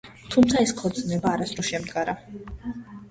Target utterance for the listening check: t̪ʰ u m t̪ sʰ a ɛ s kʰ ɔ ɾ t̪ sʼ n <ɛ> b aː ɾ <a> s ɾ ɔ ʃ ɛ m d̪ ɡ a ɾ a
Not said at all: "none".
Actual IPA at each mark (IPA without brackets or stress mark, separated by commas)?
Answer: ɛ, a